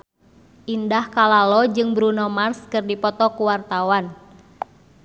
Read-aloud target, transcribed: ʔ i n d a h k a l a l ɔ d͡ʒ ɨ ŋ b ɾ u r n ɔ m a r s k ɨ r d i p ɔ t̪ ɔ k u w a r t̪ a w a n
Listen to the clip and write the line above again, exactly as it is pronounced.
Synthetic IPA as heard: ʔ i n d a h k a l a l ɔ d͡ʒ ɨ ŋ b ɾ u n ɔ m a r s k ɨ r d i p ɔ t̪ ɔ k u w a r t̪ a w a n